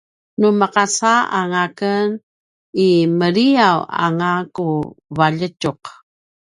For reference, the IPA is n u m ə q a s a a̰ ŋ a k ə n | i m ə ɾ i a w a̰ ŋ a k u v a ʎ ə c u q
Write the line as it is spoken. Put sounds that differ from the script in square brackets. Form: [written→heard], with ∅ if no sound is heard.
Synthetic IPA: n u m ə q a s a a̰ ŋ a k ə n | i m ə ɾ i a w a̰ ŋ a k u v a ʎ ə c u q